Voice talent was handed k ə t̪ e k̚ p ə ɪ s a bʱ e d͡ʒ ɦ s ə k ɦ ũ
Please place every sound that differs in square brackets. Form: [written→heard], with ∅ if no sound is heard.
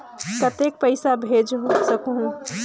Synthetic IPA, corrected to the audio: k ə t̪ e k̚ p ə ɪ s a bʱ e d͡ʒ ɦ s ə k ɦ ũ